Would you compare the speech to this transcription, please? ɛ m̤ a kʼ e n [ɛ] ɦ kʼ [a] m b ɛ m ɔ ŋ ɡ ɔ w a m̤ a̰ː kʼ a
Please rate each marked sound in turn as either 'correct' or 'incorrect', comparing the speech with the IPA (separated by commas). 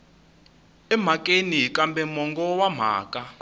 incorrect, correct